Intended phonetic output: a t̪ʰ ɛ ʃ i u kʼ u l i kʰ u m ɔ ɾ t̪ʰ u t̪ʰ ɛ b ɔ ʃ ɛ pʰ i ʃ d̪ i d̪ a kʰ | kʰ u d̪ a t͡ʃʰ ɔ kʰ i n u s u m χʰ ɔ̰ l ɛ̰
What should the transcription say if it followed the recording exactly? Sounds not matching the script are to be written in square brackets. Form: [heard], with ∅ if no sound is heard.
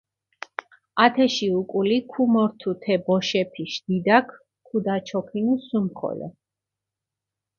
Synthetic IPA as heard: a t̪ʰ ɛ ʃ i u kʼ u l i kʰ u m ɔ ɾ t̪ʰ u t̪ʰ ɛ b ɔ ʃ ɛ pʰ i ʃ d̪ i d̪ a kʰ | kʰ u d̪ a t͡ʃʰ ɔ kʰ i n u s u m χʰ ɔ̰ l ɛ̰